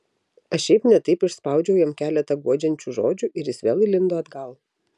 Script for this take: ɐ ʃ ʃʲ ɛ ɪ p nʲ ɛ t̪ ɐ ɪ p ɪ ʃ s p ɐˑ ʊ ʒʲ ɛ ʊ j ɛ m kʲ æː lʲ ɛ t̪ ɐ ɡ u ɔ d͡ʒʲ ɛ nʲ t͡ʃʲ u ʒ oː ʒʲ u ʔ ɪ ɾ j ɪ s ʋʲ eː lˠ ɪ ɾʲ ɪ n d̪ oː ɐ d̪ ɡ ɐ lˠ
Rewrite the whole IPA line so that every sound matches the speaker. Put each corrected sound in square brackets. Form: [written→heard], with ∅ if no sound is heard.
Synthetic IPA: ɐ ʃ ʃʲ ɛ ɪ p nʲ ɛ t̪ ɐ ɪ p ɪ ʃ s p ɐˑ ʊ [ʒʲ→d͡ʒʲ] ɛ ʊ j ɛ m kʲ æː lʲ ɛ t̪ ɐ ɡ u ɔ d͡ʒʲ ɛ nʲ t͡ʃʲ u ʒ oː [ʒʲ→d͡ʒʲ] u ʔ ɪ ɾ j ɪ s ʋʲ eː lˠ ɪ [ɾʲ→lʲ] ɪ n d̪ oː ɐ d̪ ɡ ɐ lˠ